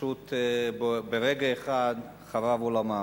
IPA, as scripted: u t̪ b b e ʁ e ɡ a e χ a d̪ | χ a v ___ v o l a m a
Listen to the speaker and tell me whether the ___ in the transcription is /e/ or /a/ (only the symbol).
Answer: a